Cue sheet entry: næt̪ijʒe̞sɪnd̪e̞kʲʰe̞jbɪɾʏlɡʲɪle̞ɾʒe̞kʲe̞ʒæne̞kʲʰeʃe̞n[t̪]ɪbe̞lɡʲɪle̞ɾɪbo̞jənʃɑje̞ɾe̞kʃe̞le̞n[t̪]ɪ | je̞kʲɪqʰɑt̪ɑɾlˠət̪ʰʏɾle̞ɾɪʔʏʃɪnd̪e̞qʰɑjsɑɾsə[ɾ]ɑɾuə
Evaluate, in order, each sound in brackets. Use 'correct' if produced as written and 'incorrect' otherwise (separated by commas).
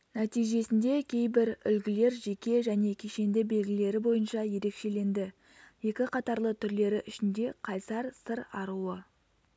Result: incorrect, incorrect, correct